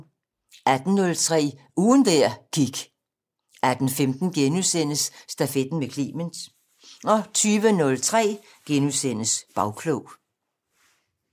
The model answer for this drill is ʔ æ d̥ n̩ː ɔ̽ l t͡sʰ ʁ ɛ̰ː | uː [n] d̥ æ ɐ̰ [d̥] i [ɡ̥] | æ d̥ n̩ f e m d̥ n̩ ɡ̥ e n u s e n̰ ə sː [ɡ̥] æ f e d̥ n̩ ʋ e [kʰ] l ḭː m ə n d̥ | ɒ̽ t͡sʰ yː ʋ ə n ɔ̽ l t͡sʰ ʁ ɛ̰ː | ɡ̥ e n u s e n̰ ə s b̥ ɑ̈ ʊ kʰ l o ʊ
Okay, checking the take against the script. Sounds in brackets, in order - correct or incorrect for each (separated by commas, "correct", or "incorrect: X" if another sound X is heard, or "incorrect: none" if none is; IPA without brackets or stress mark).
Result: correct, incorrect: ɡ̥, correct, incorrect: d̥, correct